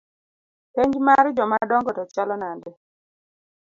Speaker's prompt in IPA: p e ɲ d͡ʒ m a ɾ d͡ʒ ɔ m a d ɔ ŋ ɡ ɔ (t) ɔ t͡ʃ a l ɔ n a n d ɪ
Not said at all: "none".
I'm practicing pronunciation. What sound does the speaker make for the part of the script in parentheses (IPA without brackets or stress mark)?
t